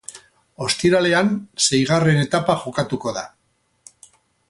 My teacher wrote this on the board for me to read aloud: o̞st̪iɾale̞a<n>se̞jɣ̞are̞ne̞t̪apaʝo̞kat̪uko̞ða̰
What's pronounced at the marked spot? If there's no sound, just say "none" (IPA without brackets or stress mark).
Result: n